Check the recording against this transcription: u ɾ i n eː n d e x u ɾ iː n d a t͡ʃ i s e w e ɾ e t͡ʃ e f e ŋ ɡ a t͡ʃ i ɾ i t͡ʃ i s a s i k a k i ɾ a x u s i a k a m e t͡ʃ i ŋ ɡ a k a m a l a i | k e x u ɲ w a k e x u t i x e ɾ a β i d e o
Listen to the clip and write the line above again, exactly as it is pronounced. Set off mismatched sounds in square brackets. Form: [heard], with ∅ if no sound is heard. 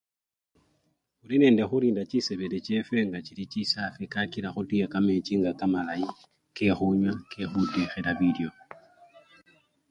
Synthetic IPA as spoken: u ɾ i n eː n d e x u ɾ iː n d a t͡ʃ i s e [β] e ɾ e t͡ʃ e f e ŋ ɡ a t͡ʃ i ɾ i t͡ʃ i s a [f] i k a k i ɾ a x u [t] i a k a m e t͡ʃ i ŋ ɡ a k a m a l a i | k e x u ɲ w a k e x u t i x e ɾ a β i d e o